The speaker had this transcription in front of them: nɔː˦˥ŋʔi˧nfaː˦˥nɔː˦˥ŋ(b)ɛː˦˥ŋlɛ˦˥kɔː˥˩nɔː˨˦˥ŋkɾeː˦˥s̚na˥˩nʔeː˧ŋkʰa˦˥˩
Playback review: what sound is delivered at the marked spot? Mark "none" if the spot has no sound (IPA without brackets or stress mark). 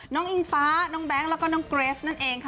b